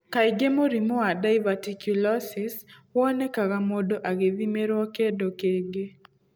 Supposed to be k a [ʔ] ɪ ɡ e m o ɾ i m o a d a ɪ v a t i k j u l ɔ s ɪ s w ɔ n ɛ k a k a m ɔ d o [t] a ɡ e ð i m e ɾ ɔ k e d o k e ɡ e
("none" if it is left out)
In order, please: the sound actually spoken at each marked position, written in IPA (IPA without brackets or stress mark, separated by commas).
none, ʔ